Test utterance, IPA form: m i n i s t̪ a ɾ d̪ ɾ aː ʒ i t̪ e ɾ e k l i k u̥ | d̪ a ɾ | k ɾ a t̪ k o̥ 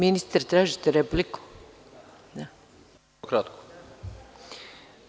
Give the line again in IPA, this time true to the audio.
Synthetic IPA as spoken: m i n i s t̪ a ɾ t̪ ɾ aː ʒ i t̪ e ɾ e p l i k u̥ | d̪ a | k ɾ a t̪ k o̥